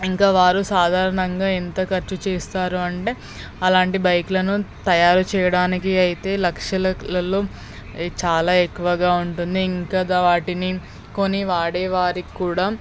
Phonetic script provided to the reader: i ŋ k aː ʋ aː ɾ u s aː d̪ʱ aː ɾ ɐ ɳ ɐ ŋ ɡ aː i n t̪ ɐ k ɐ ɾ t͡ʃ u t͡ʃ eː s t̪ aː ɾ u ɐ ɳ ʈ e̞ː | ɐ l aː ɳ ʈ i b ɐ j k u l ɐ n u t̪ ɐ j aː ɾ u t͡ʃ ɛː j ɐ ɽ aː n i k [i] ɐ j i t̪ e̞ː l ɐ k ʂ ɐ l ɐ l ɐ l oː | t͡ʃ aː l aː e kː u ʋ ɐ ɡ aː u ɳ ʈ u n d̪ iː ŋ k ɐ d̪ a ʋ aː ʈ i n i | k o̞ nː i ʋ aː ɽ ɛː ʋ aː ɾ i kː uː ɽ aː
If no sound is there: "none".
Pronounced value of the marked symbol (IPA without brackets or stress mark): i